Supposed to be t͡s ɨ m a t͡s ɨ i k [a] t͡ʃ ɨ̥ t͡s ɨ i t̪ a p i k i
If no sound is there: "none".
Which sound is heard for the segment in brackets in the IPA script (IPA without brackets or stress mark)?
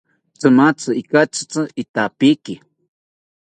a